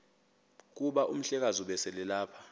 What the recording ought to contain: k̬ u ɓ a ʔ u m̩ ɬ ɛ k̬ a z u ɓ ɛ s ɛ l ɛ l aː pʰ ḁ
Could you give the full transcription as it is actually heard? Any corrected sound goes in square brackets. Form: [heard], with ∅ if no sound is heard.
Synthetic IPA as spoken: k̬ u ɓ a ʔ u m̩ ɬ ɛ k̬ a z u ɓ ɛ s ɛ l ɛ l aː pʰ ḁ